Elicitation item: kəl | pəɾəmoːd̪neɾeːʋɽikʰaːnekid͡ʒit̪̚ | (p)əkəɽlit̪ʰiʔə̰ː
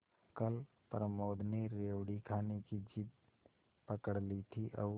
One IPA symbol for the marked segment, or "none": p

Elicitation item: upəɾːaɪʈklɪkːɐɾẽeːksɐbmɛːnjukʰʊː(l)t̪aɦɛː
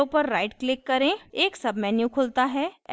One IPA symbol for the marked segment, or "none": l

